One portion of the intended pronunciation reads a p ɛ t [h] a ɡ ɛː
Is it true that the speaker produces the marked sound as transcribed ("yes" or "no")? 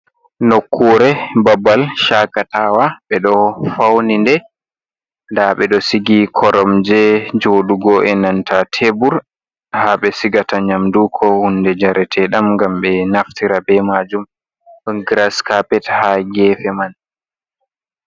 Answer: yes